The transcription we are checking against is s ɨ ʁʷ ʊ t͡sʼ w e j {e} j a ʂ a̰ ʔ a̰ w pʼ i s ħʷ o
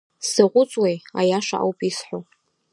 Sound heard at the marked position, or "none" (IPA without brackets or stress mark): a